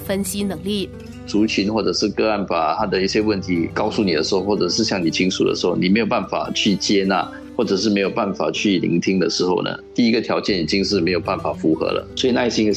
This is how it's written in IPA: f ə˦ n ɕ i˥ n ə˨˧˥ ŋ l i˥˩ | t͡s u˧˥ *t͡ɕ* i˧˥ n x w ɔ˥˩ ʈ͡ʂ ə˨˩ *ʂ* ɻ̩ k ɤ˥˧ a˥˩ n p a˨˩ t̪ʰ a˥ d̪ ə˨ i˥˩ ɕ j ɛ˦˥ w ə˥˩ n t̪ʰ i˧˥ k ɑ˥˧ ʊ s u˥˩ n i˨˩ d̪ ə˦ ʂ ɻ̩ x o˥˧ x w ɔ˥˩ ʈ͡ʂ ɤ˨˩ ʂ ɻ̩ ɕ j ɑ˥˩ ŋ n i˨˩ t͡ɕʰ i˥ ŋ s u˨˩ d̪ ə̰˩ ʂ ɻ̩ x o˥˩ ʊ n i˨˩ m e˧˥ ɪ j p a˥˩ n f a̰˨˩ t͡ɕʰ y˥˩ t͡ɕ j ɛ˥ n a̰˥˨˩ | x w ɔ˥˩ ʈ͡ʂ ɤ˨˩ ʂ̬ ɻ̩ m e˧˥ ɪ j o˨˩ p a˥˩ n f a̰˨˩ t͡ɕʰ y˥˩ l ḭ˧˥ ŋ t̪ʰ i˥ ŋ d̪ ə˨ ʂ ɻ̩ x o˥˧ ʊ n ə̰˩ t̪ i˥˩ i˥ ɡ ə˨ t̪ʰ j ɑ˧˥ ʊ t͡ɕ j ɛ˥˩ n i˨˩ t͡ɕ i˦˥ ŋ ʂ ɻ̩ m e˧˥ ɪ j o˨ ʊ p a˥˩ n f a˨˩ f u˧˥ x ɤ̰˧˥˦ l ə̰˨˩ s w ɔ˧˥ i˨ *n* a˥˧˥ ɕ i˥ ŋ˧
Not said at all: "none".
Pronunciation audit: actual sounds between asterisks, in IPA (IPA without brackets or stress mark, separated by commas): t͡ɕʰ, ʂ, n